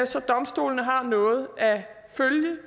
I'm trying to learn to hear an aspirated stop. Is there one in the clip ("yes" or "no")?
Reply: no